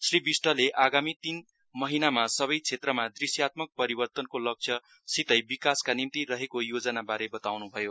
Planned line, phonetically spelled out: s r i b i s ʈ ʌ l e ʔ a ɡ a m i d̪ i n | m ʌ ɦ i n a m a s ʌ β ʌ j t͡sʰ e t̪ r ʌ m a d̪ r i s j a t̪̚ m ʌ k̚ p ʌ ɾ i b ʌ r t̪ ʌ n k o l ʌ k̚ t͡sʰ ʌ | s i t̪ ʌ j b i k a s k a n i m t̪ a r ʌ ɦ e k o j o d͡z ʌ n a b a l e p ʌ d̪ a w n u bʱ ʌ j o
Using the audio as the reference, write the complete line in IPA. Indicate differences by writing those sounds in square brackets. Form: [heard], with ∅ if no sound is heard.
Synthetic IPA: s r i b i s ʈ ʌ l e ʔ a ɡ a m i [t̪] i n | m ʌ ɦ i n a m a s ʌ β ʌ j t͡sʰ e t̪ r ʌ m a d̪ r i s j a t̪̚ m ʌ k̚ p ʌ ɾ i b ʌ r t̪ ʌ n k o l ʌ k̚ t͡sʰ ʌ | s i t̪ ʌ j b i k a s k a n i m t̪ [i] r ʌ ɦ e k o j o d͡z ʌ n a b a [ɾ] e [b] ʌ [t̪] a w n u bʱ ʌ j o